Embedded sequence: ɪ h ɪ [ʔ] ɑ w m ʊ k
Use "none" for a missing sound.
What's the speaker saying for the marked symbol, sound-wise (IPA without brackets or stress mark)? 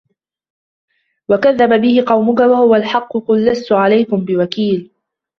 q